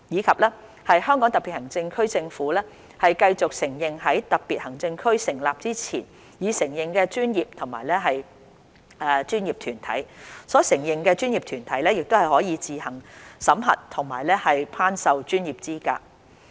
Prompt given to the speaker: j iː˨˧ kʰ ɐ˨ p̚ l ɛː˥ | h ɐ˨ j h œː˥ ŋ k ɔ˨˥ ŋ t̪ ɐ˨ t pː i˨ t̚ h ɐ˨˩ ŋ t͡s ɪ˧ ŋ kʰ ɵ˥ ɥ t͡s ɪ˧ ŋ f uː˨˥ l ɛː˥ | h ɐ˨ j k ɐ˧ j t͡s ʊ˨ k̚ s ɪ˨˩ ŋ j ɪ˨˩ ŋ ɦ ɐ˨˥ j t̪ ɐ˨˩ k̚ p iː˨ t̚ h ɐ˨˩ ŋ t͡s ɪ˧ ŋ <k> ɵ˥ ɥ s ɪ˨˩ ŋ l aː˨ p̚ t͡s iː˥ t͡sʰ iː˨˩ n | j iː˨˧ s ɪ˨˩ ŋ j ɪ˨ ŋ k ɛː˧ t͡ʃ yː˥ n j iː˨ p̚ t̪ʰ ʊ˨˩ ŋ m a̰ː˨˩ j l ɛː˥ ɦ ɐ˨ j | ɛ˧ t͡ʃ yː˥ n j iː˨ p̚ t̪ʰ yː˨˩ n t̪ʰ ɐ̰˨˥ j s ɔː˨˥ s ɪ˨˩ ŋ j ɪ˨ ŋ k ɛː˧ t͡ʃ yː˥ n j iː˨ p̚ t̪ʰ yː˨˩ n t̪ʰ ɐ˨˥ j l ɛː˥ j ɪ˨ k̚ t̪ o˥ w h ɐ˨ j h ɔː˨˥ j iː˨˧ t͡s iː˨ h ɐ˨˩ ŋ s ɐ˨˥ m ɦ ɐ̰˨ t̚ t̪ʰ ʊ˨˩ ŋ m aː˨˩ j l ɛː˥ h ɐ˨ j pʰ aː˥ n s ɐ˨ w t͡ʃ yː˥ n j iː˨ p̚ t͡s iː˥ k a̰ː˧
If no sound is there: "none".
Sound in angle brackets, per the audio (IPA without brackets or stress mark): kʰ